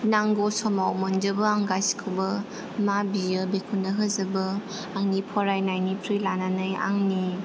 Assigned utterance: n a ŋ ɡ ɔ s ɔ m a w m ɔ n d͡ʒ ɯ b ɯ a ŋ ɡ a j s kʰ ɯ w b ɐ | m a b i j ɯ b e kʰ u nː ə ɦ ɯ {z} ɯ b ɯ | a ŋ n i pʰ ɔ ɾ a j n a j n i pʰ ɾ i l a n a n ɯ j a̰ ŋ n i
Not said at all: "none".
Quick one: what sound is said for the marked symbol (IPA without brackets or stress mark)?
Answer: z